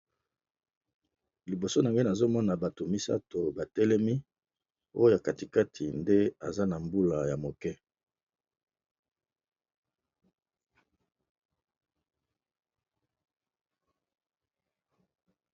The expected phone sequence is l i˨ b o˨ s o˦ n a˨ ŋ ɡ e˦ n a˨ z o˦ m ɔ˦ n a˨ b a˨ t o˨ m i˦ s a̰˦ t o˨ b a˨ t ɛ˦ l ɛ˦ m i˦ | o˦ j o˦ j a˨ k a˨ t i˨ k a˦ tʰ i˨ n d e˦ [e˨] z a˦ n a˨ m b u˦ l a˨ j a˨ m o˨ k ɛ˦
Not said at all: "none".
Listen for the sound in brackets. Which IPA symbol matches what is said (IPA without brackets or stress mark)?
a˨